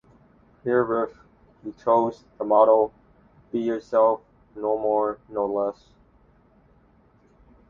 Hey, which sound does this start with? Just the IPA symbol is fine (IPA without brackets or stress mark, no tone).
h